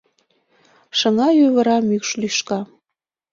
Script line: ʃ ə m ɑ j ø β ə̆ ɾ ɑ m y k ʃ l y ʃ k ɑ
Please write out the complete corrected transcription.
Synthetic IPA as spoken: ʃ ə ŋ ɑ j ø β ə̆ ɾ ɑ m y k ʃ l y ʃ k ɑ